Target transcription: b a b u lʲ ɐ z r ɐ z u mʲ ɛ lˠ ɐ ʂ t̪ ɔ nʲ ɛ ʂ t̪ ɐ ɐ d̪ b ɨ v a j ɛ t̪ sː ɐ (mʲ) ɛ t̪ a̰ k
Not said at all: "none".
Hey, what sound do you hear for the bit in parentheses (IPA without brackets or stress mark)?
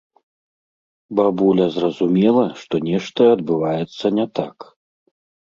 nʲ